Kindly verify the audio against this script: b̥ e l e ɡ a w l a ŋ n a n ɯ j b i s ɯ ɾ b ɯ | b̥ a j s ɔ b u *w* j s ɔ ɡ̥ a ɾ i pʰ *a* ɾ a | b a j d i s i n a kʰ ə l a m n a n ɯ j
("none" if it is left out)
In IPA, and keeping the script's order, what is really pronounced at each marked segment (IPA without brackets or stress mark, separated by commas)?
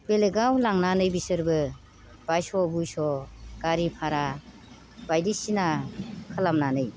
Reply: none, a